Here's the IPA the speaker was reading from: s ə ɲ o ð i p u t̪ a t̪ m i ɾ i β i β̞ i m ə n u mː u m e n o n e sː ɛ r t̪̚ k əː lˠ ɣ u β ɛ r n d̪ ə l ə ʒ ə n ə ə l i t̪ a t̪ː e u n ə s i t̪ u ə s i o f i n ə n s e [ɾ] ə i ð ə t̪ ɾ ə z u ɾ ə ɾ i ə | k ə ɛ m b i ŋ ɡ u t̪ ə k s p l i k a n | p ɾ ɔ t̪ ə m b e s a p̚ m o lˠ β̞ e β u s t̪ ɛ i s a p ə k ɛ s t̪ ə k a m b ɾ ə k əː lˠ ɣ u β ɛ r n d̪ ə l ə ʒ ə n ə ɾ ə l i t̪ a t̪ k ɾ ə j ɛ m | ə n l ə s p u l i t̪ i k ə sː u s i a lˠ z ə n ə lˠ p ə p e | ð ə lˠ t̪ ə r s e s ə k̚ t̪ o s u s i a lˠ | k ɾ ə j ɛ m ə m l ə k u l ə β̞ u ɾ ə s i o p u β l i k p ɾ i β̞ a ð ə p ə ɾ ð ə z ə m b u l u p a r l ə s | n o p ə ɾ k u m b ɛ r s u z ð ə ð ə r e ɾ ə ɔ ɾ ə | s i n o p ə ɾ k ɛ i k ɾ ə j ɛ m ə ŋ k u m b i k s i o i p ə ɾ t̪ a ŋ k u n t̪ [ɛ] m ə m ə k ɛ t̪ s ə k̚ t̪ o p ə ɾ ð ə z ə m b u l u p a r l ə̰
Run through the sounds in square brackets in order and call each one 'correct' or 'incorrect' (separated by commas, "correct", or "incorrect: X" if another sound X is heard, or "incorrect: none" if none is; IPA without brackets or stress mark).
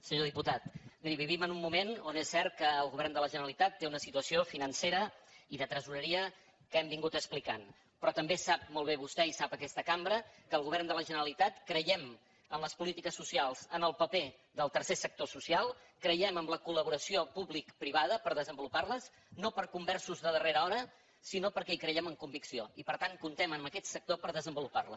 correct, correct